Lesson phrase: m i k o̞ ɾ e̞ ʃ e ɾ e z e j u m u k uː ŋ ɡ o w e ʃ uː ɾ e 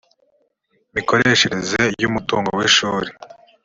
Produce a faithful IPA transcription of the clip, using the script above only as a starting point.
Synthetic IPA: m i k o̞ ɾ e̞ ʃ e ɾ e z e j u m u t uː ŋ ɡ o w e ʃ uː ɾ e